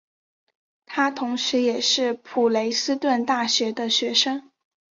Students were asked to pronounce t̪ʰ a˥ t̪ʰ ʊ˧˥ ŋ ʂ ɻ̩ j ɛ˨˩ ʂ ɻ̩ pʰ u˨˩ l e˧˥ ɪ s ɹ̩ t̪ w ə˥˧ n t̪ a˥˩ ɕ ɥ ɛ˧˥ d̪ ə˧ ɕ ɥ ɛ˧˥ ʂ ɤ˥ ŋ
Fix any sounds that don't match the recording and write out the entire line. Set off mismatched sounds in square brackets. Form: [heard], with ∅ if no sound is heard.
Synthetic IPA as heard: t̪ʰ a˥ t̪ʰ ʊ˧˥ ŋ ʂ ɻ̩ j ɛ˨˩ ʂ ɻ̩ pʰ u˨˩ l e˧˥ ɪ s ɹ̩ t̪ w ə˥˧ n t̪ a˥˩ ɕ ɥ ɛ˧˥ d̪ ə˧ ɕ ɥ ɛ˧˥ ʂ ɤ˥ ŋ